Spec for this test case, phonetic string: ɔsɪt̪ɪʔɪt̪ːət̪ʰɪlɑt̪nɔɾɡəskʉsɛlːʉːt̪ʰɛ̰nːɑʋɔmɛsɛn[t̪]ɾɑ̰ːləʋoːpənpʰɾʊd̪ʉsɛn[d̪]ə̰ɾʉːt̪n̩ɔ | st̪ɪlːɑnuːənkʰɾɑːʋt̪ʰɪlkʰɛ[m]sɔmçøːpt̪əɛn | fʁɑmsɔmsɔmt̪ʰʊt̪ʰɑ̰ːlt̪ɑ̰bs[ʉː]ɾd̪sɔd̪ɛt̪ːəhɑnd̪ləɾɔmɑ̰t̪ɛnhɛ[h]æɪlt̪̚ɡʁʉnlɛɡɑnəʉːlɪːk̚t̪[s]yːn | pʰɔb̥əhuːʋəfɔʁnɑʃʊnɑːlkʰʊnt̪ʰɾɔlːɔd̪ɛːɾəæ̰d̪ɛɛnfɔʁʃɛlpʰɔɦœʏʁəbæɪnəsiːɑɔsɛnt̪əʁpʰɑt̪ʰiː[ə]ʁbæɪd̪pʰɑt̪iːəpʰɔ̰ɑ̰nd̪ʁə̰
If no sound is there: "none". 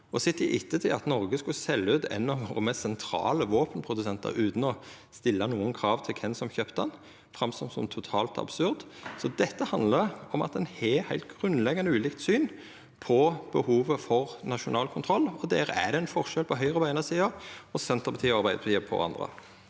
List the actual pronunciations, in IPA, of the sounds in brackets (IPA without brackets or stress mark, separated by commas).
t̪ʰ, t̪, n, ʉ, h, s, ɑ